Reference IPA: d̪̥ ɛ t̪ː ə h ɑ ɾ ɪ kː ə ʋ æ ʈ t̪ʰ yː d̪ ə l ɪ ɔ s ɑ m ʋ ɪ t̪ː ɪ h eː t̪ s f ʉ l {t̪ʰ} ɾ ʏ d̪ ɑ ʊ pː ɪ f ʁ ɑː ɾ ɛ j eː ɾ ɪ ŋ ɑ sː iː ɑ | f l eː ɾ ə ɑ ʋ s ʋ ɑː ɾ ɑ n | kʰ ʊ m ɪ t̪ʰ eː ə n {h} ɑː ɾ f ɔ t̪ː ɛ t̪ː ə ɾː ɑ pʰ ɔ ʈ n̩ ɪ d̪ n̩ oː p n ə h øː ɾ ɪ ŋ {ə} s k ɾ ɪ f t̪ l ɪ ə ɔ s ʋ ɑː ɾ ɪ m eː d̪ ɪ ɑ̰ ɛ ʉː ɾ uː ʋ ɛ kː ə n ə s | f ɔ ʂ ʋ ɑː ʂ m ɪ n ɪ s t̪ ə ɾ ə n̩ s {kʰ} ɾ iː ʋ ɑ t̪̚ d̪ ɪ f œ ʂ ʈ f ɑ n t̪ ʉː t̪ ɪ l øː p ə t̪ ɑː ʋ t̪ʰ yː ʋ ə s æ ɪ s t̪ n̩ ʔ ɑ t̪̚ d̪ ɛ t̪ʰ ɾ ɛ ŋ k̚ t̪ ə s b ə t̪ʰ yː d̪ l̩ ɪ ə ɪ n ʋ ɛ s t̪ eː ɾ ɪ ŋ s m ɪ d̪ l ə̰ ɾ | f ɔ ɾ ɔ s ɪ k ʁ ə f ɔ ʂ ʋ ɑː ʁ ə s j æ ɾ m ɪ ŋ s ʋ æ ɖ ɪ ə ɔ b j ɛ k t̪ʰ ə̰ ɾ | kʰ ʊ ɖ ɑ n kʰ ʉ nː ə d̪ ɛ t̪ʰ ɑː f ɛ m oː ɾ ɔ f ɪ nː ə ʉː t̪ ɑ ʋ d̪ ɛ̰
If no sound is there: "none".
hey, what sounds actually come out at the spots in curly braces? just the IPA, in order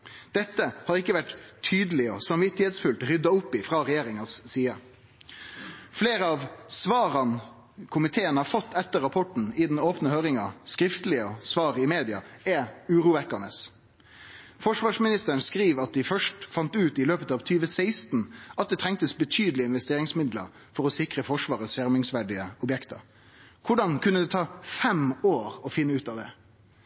t̪, h, ɑ, k

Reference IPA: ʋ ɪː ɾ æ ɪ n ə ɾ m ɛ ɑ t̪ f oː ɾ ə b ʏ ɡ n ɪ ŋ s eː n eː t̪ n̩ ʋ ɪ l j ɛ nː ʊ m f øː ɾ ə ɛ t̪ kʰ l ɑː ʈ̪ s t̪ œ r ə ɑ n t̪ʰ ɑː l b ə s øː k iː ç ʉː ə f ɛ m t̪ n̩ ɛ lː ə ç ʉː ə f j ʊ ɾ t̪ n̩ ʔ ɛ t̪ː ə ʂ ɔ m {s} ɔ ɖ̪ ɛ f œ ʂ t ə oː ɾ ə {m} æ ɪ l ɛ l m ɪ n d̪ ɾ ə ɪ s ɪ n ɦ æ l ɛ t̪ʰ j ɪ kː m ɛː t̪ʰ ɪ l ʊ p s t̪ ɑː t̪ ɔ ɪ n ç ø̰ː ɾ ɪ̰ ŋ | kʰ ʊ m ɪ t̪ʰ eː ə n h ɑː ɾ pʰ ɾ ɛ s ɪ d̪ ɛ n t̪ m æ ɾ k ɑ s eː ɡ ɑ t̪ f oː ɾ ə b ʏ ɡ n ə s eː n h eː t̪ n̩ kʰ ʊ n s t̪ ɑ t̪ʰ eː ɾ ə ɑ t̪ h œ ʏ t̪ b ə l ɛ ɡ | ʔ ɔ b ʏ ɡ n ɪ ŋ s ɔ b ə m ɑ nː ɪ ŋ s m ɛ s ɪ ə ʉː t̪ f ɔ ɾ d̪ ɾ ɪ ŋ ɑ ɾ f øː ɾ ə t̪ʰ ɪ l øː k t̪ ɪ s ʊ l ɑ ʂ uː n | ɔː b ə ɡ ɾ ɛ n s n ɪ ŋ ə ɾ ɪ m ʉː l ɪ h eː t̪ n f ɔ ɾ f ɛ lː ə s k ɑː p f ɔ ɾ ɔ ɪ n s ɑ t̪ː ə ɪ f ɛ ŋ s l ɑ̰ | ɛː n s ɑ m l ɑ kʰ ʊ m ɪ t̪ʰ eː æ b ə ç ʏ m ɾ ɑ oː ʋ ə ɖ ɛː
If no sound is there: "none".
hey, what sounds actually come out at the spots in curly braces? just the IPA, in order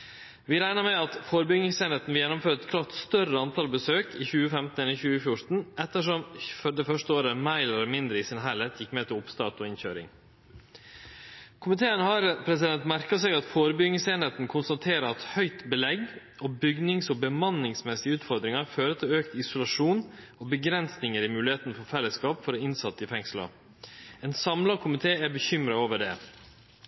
f, m

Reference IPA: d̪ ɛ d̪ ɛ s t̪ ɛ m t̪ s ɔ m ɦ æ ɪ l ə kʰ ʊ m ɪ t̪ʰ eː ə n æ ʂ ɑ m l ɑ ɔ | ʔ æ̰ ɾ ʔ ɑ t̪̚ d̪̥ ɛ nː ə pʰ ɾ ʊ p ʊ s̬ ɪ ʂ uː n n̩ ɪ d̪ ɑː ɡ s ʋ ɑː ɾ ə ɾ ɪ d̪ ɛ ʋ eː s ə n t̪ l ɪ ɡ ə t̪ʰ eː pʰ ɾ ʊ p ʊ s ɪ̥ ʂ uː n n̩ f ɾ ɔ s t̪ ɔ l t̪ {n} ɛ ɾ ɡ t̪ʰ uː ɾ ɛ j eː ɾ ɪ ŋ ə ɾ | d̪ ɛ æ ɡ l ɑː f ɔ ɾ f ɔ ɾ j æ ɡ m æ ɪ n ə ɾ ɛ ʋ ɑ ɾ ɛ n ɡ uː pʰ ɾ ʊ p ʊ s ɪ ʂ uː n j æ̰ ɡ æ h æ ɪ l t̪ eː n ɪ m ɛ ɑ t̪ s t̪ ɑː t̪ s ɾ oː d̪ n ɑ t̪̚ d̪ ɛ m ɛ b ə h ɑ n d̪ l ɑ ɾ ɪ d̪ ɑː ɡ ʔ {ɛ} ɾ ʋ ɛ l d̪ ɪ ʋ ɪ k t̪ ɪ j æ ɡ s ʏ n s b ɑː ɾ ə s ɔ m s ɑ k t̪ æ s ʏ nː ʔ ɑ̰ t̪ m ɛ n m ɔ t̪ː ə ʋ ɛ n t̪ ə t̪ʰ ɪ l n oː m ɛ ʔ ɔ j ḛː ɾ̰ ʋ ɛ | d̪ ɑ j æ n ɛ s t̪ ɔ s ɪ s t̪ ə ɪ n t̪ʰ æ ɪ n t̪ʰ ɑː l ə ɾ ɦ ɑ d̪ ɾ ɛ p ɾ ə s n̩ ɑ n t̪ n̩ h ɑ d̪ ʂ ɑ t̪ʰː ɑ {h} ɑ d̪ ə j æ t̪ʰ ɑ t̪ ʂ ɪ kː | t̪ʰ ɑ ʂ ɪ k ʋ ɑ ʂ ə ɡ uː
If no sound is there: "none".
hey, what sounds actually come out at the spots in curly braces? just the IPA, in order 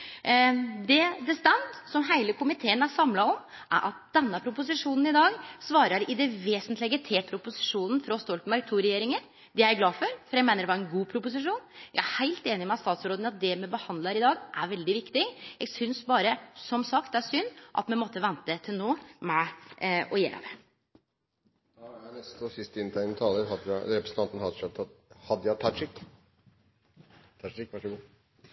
m, æ, h

